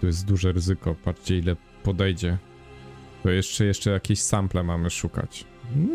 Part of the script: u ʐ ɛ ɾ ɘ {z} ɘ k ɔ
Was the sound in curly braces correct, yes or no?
yes